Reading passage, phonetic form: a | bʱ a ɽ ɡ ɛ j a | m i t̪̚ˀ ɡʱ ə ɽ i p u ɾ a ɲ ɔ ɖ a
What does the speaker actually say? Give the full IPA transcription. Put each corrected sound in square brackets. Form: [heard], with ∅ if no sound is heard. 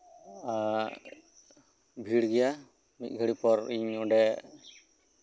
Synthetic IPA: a | bʱ [i] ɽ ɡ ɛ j a | m i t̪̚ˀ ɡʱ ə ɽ i p [ɔ] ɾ [i] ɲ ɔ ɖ [ɛ]